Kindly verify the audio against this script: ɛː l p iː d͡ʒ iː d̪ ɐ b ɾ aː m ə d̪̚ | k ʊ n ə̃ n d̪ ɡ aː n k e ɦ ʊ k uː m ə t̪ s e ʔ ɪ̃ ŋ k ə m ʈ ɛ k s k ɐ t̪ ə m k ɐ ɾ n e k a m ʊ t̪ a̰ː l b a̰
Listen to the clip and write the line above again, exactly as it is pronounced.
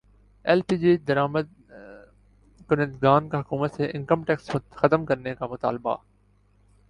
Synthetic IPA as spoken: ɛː l p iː d͡ʒ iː d̪ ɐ ɾ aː m ə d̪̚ | k ʊ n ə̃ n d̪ ɡ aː n k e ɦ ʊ k uː m ə t̪ s e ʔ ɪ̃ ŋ k ə m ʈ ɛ k s x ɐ t̪ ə m k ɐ ɾ n e k a m ʊ t̪ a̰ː l b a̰

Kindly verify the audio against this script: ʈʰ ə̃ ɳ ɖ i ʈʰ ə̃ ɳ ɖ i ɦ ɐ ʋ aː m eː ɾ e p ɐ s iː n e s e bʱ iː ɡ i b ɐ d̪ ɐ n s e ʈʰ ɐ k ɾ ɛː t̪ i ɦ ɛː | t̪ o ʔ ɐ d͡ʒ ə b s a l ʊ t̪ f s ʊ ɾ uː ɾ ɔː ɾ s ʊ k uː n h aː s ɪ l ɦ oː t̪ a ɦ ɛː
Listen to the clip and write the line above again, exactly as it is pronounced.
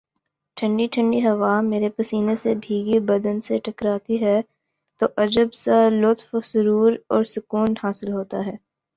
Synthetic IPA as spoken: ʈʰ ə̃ ɳ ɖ i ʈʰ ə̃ ɳ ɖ i ɦ ɐ ʋ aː m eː ɾ e p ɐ s iː n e s e bʱ iː ɡ i b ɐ d̪ ə n s e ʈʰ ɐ k ɾ aː t̪ i ɦ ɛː | t̪ o ʔ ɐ d͡ʒ ə b s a l ʊ t̪ f s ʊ ɾ uː ɾ ɔː ɾ s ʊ k uː n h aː s ɪ l ɦ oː t̪ a ɦ ɛː

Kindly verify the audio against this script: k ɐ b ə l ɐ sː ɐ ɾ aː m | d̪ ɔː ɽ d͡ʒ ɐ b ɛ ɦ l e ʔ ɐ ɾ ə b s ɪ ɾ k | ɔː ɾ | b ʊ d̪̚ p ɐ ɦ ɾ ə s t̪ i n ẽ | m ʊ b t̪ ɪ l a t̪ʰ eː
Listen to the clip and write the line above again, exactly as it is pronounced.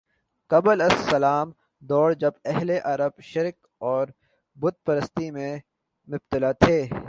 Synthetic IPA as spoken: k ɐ b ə l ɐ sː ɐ l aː m | d̪ ɔː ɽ d͡ʒ ɐ b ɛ ɦ l e ʔ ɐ ɾ ə b ʃ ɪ ɾ k | ɔː ɾ | b ʊ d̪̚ p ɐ ɾ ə s t̪ i m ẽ | m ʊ b t̪ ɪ l a t̪ʰ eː

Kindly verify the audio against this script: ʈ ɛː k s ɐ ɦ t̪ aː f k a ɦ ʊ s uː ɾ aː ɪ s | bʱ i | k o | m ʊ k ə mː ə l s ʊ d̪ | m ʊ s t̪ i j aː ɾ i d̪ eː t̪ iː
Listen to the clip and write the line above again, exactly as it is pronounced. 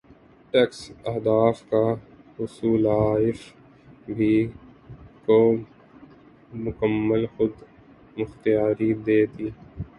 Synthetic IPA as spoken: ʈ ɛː k s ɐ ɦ d̪ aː f k a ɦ ʊ s uː l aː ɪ f | bʱ i | k o | m ʊ k ə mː ə l x ʊ d̪ | m ʊ x t̪ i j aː ɾ i d̪ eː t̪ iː

